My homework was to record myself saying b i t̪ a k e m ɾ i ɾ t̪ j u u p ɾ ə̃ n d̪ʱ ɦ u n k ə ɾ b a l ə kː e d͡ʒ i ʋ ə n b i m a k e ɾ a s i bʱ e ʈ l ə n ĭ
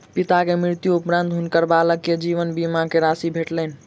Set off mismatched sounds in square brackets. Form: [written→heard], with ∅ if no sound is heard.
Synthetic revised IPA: [b→p] i t̪ a k e m ɾ i ɾ t̪ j u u p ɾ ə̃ n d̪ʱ ɦ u n k ə ɾ b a l ə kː e d͡ʒ i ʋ ə n b i m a k e ɾ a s i bʱ e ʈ l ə n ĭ